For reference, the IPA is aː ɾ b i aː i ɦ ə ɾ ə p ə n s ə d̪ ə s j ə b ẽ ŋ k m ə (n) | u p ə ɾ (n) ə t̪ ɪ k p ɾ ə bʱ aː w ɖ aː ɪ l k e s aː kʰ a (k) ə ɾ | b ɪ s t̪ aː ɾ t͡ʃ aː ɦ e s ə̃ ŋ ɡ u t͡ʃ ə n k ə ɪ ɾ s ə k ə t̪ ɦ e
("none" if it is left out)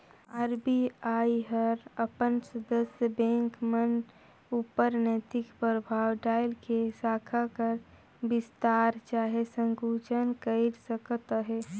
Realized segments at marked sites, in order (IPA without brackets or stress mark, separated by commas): n, n, k